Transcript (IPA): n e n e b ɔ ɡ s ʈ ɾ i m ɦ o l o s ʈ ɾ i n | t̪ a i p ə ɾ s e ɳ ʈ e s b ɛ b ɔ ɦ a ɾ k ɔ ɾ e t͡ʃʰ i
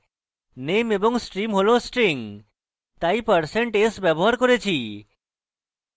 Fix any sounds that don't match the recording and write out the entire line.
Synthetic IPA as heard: n e m e b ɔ ŋ s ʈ ɾ i m ɦ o l o s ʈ ɾ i ŋ | t̪ a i p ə ɾ s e ɳ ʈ e s b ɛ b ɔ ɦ a ɾ k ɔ ɾ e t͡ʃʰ i